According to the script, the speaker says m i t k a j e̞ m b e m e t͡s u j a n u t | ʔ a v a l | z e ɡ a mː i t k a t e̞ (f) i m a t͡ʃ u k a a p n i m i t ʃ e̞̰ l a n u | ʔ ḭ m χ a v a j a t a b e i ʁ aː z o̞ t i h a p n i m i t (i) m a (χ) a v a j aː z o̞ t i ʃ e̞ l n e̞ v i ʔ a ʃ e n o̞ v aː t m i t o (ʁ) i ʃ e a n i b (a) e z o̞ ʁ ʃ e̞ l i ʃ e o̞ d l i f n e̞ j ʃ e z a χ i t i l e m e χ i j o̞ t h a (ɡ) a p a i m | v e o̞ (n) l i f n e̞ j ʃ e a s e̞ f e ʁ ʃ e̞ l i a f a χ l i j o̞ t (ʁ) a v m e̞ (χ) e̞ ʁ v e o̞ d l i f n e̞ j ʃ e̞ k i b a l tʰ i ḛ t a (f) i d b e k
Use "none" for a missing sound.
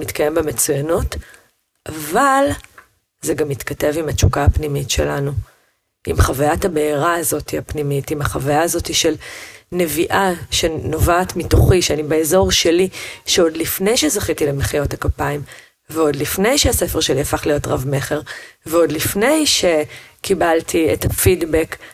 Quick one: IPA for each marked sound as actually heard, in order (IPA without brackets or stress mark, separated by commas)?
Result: v, i, χ, χ, e, k, d, ʁ, χ, f